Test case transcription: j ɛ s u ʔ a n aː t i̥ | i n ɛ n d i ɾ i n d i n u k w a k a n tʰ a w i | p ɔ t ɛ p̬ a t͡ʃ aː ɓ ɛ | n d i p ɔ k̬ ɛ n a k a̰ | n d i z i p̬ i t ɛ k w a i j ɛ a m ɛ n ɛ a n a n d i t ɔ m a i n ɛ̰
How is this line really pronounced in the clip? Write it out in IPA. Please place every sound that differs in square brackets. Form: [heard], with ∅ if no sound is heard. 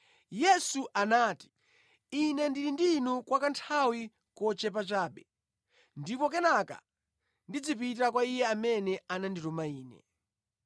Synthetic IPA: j ɛ s u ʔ a n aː t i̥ | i n ɛ n d i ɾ i n d i n u k w a k a n tʰ a w i | [k] ɔ [t͡ʃ] ɛ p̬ a t͡ʃ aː ɓ ɛ | n d i p ɔ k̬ ɛ n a k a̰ | n d i [d͡z] i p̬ i t [a] k w a i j ɛ a m ɛ n ɛ a n a n d i t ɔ m a [iː] n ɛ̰

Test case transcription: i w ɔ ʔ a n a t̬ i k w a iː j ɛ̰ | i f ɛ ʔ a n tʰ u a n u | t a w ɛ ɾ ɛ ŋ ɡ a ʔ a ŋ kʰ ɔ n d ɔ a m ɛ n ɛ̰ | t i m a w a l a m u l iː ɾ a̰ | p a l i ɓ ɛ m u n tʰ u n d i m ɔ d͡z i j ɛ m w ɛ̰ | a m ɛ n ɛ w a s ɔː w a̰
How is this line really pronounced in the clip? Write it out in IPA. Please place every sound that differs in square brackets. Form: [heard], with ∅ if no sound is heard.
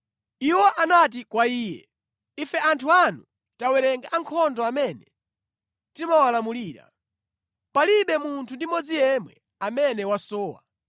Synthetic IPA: i w ɔ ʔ a n a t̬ i k w a iː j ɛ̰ | i f ɛ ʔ a n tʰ u a n u | t a w ɛ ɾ ɛ ŋ ɡ a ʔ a ŋ kʰ ɔ n d ɔ a m ɛ n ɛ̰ | t i m a w a l a m u l iː ɾ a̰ | p a l i ɓ ɛ m u n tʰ u n d i m ɔ d͡z i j ɛ m w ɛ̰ | a m ɛ n ɛ w a s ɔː w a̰

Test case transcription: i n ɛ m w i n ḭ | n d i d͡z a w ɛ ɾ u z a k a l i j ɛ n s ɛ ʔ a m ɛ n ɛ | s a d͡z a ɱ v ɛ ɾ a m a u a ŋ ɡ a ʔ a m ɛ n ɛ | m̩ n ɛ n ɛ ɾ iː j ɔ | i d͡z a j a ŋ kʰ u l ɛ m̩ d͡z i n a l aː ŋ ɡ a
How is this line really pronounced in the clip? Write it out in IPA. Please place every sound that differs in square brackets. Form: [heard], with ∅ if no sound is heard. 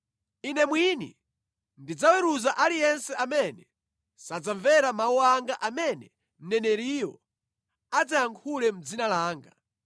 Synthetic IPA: i n ɛ m w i n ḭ | n d i d͡z a w ɛ ɾ u z a [ʔ] a l i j ɛ n s ɛ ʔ a m ɛ n ɛ | s a d͡z a ɱ v ɛ ɾ a m a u a ŋ ɡ a ʔ a m ɛ n ɛ | m̩ n ɛ n ɛ ɾ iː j ɔ | [a] d͡z a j a ŋ kʰ u l ɛ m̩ d͡z i n a l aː ŋ ɡ a

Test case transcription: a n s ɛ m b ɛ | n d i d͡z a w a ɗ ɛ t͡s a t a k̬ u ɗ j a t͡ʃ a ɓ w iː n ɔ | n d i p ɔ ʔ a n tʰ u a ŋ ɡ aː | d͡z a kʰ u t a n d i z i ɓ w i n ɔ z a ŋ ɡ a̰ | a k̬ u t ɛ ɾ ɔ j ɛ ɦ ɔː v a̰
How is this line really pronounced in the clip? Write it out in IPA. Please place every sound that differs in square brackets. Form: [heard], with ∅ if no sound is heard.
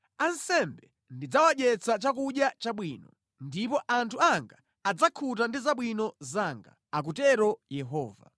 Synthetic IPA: a n s ɛ m b ɛ | n d i d͡z a w a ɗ ɛ t͡s a [t͡ʃ] a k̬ u ɗ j a t͡ʃ a ɓ w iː n ɔ | n d i p ɔ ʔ a n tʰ u a ŋ ɡ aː | d͡z a kʰ u t a n d i z [a] ɓ w i n ɔ z a ŋ ɡ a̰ | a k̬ u t ɛ ɾ ɔ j ɛ ɦ ɔː v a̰

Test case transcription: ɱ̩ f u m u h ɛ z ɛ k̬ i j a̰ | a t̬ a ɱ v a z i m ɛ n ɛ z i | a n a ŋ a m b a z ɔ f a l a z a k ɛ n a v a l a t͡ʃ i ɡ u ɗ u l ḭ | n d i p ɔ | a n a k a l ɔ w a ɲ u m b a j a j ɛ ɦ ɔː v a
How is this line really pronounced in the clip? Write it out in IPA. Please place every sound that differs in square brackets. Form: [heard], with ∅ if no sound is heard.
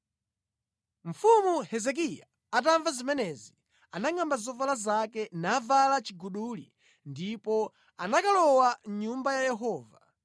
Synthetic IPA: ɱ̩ f u m u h ɛ z ɛ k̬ i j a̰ | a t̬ a ɱ v a z i m ɛ n ɛ z i | a n a ŋ a m b a z ɔ [v] a l a z a k ɛ n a v a l a t͡ʃ i ɡ u ɗ u l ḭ | n d i p ɔ | a n a k a l ɔ w a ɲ u m b a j a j ɛ ɦ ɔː v a

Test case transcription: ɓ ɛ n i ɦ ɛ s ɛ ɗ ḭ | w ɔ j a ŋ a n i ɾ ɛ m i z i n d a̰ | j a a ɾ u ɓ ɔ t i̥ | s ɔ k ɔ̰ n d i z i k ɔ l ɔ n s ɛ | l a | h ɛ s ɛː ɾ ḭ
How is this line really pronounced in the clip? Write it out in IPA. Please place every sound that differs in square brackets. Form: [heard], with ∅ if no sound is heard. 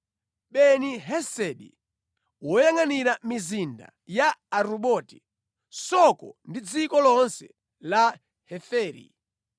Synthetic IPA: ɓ ɛ n i ɦ ɛ s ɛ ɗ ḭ | w ɔ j a ŋ a n i ɾ [a] m i z i n d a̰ | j a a ɾ u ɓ ɔ t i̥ | s ɔ k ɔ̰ n d i [d͡z] i k ɔ l ɔ n s ɛ | l a | h ɛ [f] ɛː ɾ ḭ

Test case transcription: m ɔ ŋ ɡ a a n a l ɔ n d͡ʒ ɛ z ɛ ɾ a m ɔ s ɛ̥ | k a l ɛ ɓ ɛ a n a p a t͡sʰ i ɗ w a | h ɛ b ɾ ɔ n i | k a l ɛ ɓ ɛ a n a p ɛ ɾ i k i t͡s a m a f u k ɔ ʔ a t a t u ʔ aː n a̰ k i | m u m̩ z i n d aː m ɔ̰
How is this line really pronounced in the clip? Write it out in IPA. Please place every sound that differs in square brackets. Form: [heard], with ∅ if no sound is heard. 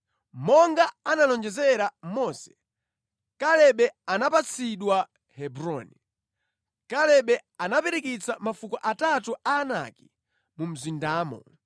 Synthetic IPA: m ɔ ŋ ɡ a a n a l ɔ n d͡ʒ ɛ z ɛ ɾ a m ɔ s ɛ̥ | k a l ɛ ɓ ɛ a n a p a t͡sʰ i ɗ w a | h ɛ b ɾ ɔ n i | k a l ɛ ɓ ɛ a n a p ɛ ɾ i k i t͡s a m a f u k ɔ ʔ a t a t u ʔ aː n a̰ k i | m u m̩ z i n d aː m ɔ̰

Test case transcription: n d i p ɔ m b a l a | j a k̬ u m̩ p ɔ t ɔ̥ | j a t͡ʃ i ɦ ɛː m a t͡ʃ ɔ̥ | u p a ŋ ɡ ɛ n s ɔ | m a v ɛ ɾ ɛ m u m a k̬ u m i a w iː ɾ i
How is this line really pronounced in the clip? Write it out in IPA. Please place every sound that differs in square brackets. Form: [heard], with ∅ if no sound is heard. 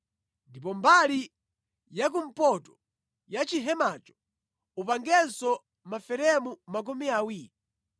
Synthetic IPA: n d i p ɔ m b a l [i] | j a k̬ u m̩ p ɔ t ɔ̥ | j a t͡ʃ i ɦ [ɛ] m a t͡ʃ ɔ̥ | u p a ŋ ɡ ɛ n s ɔ | m a [f] ɛ ɾ ɛ m u m a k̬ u m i a w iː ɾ i

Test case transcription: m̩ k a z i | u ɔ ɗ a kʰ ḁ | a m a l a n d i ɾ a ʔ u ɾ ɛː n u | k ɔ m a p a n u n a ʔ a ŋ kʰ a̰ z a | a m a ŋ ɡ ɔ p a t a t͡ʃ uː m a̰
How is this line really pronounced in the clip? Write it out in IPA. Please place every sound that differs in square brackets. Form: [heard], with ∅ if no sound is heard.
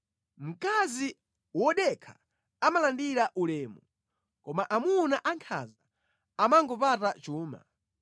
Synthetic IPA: m̩ k a z i | [w] ɔ ɗ [ɛ] kʰ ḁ | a m a l a n d i ɾ a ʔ u [l] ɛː [m] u | k ɔ m a [ʔ] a [m] u n a ʔ a ŋ kʰ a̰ z a | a m a ŋ ɡ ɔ p a t a t͡ʃ uː m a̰

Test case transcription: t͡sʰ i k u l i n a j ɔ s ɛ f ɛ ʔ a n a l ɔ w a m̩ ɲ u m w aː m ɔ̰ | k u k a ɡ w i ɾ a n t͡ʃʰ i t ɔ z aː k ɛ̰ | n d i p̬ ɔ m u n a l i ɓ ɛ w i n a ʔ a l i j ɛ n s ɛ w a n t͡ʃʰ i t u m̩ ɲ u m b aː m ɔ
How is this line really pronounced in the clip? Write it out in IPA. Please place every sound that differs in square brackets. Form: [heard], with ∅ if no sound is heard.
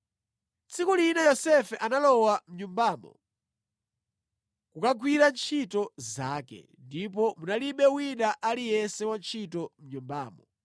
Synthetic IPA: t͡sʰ i k u l i n a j ɔ s ɛ f ɛ ʔ a n a l ɔ w a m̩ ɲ u m [b] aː m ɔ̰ | k u k a ɡ w i ɾ a n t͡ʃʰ i t ɔ z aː k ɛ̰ | n d i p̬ ɔ m u n a l i ɓ ɛ w i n a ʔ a l i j ɛ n s ɛ w a n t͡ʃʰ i t [ɔ] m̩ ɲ u m b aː m ɔ

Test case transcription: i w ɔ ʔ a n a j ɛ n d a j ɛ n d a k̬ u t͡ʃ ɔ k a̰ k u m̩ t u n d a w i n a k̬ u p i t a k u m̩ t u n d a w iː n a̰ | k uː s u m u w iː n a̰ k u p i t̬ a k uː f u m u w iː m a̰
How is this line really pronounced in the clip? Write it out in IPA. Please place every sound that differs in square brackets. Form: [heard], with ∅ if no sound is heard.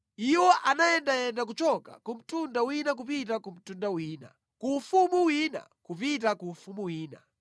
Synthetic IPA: i w ɔ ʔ a n a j ɛ n d a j ɛ n d a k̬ u t͡ʃ ɔ k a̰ k u m̩ t u n d a w i n a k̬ u p i t a k u m̩ t u n d a w iː n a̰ | k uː [f] u m u w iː n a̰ k u p i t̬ a k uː f u m u w iː [n] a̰

